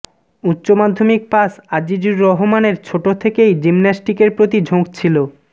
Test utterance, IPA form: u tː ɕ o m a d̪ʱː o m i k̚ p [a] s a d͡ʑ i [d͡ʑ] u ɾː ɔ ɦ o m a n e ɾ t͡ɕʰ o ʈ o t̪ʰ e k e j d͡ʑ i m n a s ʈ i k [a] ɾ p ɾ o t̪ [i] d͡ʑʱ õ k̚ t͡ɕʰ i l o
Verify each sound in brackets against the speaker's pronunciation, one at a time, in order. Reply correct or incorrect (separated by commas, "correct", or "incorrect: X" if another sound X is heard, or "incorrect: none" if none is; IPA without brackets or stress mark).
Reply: correct, correct, incorrect: e, correct